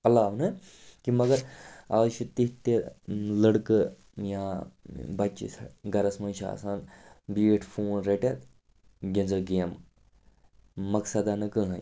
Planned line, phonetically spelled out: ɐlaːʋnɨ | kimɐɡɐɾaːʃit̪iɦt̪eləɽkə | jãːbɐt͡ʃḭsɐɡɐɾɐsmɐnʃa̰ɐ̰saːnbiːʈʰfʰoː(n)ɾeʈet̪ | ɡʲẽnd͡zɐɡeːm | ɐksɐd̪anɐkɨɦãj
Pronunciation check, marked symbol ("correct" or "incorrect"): correct